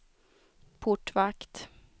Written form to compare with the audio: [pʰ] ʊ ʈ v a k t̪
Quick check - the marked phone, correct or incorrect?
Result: correct